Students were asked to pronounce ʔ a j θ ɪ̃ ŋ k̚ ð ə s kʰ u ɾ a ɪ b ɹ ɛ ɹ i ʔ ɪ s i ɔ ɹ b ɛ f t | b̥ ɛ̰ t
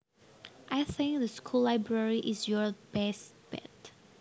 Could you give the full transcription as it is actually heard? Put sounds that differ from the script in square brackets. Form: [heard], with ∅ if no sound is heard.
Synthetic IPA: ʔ a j θ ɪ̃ ŋ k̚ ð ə s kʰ u [l] a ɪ b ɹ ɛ ɹ i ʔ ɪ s [j] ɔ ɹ b ɛ [s] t | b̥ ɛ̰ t